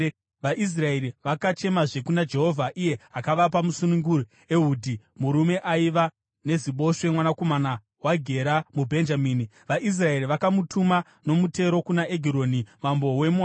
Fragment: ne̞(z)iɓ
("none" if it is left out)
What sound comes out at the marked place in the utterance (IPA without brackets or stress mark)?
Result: z